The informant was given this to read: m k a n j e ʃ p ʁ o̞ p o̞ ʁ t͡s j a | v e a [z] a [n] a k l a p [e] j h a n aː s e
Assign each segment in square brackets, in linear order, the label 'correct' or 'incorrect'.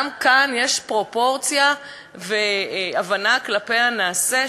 incorrect, correct, correct

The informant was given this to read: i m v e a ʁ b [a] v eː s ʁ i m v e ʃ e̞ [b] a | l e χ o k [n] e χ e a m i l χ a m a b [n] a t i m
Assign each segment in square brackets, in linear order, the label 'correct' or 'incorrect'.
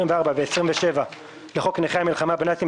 correct, incorrect, correct, correct

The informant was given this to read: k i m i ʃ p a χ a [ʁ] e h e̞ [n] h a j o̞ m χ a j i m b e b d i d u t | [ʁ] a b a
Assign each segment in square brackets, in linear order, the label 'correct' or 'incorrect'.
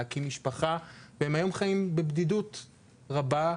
incorrect, incorrect, correct

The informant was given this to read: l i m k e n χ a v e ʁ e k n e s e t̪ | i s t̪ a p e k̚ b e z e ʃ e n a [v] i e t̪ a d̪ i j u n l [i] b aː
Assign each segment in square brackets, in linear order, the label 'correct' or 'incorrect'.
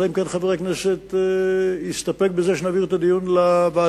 correct, incorrect

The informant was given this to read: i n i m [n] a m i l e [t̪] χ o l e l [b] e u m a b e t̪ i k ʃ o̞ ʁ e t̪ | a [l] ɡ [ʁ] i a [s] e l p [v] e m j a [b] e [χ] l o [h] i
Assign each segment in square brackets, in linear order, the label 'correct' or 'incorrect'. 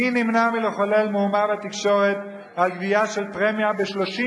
correct, incorrect, incorrect, correct, incorrect, incorrect, incorrect, correct, incorrect, incorrect

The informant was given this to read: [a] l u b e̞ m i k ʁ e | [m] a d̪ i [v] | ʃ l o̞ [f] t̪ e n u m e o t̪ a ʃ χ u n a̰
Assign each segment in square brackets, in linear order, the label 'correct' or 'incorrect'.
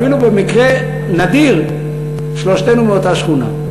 incorrect, incorrect, incorrect, incorrect

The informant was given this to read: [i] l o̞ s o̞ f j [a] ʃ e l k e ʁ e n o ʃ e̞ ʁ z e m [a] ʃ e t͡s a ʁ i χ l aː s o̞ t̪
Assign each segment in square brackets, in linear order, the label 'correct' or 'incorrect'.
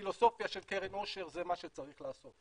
correct, correct, correct

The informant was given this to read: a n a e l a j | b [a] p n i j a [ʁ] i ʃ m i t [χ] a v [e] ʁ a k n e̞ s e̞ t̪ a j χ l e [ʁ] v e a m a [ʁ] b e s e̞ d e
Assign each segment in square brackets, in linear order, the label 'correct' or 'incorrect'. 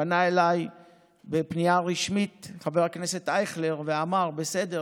incorrect, correct, correct, correct, correct, correct

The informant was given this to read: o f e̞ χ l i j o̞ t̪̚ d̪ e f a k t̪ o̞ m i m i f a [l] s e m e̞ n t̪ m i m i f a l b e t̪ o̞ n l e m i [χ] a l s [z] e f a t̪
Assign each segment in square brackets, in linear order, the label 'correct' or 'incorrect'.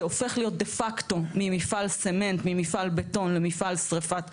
correct, incorrect, incorrect

